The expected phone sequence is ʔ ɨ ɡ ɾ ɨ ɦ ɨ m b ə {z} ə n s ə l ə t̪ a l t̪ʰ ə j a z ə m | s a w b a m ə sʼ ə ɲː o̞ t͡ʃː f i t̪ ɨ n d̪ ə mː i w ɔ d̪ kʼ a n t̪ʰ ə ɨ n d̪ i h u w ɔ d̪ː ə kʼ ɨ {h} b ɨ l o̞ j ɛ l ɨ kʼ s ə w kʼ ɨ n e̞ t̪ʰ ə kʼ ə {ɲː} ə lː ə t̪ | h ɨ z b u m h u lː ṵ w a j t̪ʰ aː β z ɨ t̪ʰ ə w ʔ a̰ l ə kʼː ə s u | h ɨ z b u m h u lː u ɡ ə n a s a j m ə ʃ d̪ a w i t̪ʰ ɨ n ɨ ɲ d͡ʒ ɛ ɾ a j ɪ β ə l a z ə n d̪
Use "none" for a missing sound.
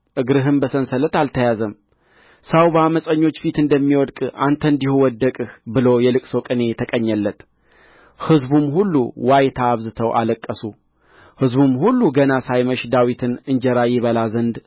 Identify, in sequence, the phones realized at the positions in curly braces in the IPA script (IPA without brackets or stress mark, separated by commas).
s, h, ɲː